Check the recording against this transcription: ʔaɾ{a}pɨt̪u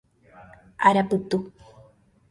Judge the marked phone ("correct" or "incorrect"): correct